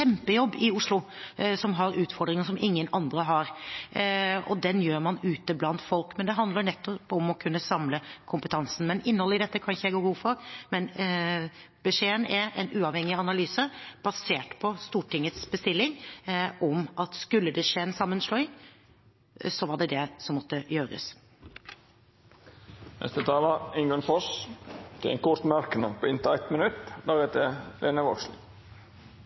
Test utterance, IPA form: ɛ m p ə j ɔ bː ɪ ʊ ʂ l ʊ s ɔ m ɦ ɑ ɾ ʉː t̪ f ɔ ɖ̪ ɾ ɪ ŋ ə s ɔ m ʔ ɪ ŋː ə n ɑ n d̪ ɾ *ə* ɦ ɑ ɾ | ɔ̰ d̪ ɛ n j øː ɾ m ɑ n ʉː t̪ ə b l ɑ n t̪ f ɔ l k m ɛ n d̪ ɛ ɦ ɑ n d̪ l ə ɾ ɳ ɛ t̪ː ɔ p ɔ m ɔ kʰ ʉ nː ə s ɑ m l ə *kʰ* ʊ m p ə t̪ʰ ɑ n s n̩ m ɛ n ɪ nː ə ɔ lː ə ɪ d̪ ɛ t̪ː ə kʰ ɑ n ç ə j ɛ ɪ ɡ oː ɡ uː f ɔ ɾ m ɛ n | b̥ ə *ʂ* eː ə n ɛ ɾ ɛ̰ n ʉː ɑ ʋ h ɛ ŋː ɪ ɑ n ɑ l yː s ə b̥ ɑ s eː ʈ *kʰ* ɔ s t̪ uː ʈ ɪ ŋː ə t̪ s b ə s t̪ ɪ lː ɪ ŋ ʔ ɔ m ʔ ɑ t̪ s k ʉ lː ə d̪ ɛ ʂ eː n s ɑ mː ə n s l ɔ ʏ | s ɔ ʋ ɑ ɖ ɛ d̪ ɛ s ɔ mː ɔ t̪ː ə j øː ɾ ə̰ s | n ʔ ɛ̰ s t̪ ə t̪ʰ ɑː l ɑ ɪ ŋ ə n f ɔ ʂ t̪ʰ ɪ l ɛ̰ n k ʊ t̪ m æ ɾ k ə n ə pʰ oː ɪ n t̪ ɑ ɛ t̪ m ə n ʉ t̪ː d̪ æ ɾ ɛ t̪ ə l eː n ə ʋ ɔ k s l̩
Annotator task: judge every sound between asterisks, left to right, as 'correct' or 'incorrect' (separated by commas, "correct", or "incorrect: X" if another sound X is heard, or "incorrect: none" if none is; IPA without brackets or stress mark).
correct, correct, correct, incorrect: pʰ